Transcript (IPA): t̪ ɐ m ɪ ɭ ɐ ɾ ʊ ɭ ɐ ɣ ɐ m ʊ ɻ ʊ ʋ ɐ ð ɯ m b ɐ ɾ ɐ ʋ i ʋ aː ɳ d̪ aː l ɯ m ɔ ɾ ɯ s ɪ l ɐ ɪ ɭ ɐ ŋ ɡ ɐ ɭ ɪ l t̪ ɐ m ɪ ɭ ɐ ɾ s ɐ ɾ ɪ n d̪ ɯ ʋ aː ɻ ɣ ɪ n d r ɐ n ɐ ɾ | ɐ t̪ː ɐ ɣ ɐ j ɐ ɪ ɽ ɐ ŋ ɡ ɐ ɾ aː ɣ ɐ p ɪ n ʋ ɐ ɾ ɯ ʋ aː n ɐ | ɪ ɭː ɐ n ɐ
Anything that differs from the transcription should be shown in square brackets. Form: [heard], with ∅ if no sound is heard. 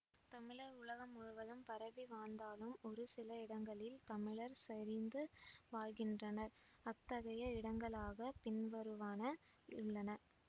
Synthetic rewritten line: t̪ ɐ m ɪ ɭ ɐ ɾ ʊ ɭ ɐ ɣ ɐ m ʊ ɻ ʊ ʋ ɐ ð ɯ m [p] ɐ ɾ ɐ ʋ i ʋ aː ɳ d̪ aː l ɯ m ɔ ɾ ɯ s ɪ l ɐ ɪ [ɽ] ɐ ŋ ɡ ɐ ɭ ɪ l t̪ ɐ m ɪ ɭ ɐ ɾ s ɐ ɾ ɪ n d̪ ɯ ʋ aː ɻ ɣ ɪ n d r ɐ n ɐ ɾ | ɐ t̪ː ɐ ɣ ɐ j ɐ ɪ ɽ ɐ ŋ ɡ ɐ [ɭ] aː ɣ ɐ p ɪ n ʋ ɐ ɾ ɯ ʋ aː n ɐ | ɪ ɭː ɐ n ɐ